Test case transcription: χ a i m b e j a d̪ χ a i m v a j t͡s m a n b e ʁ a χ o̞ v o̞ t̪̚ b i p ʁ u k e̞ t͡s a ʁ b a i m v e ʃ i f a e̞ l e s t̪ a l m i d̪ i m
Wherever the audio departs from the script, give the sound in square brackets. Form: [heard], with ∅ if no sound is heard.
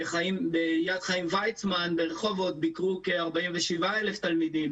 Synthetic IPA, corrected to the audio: χ a i m b e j a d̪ χ a i m v a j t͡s m a n b e ʁ [e] χ o̞ v o̞ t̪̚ b i [k] ʁ u k e̞ [∅] a ʁ b a i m v e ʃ i [v] a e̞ l e [f] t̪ a l m i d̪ i m

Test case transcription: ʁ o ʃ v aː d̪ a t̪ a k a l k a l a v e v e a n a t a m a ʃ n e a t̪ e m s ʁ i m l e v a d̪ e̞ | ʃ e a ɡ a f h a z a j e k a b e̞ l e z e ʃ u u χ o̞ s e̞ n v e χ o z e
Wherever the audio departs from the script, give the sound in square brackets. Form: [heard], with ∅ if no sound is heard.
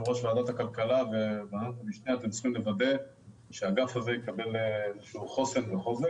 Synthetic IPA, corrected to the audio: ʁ o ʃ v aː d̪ a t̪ a k a l k a l a v e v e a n a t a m [i] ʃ n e a t̪ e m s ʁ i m l e v a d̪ e̞ | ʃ e a ɡ a f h a z [e] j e k a b e̞ l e z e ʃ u u χ o̞ s e̞ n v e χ o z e

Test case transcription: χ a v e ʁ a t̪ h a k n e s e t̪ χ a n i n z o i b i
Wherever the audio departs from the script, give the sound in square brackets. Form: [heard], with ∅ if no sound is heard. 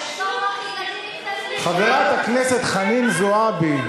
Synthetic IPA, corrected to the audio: χ a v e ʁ a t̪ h a k n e s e t̪ χ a n i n z o [a] b i

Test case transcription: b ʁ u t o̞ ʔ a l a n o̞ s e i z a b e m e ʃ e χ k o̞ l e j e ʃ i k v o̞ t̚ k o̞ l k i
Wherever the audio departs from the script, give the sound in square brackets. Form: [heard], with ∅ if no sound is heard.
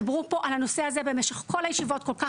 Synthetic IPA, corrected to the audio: b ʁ u [p] o̞ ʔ a l a n o̞ s e [a] z [e] b e m e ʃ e χ k o̞ l [a] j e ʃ i [∅] v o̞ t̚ k o̞ l k [a]

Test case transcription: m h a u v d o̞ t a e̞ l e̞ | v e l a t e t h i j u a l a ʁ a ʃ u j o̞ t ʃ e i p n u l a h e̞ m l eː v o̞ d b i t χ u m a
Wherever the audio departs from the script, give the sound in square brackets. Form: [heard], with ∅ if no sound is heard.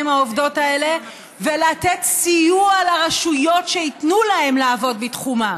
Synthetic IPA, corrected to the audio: m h a [o] v d o̞ t a e̞ l e̞ | v e l a t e t [s] i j u a l a ʁ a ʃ u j o̞ t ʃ e i [t] n u l a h e̞ m l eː v o̞ d b i t χ u m a

